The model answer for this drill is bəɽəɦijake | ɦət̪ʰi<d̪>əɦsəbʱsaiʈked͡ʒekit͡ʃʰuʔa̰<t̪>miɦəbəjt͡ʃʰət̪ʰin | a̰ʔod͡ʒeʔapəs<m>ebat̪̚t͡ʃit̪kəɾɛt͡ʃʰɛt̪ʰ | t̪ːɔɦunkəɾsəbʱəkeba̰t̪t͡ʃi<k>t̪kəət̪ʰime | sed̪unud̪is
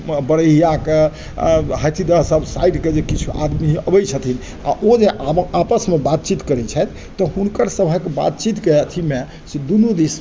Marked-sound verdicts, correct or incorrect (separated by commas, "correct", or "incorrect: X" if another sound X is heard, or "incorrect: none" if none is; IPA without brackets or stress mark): correct, incorrect: d̪, correct, incorrect: none